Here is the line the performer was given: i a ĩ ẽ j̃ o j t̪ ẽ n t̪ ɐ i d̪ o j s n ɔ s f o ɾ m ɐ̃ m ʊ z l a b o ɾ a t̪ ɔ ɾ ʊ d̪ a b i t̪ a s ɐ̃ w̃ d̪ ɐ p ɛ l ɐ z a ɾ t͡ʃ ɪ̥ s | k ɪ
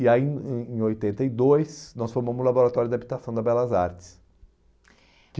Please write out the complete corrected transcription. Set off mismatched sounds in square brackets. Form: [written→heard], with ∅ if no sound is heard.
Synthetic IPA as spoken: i a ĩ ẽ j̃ o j t̪ ẽ n t̪ ɐ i d̪ o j s n ɔ s f o ɾ m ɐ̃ m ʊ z l a b o ɾ a t̪ ɔ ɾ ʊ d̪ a b i t̪ a s ɐ̃ w̃ d̪ ɐ [p→b] ɛ l ɐ z a ɾ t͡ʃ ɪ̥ s | k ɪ